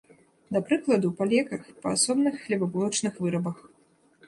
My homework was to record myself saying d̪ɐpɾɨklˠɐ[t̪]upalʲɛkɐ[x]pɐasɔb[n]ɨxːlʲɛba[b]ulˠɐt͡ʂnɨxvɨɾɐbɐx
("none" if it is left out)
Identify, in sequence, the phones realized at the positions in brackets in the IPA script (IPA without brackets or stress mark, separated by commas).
d̪, x, n, b